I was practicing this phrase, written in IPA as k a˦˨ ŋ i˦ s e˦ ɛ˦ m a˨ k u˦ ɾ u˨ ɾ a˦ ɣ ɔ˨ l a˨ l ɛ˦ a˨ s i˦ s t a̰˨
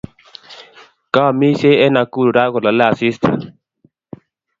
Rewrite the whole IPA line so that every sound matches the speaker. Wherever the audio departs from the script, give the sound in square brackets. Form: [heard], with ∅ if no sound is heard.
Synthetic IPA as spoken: k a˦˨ [m] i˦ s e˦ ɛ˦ [n] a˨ k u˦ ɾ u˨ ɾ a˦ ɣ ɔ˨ l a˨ l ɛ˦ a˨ s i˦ s t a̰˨